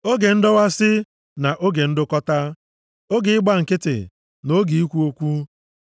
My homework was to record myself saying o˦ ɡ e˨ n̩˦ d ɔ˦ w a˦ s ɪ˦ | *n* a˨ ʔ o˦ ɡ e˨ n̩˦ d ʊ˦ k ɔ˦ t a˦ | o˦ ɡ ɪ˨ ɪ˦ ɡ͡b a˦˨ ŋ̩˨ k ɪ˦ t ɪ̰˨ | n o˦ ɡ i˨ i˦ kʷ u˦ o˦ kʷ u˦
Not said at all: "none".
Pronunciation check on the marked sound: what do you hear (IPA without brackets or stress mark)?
n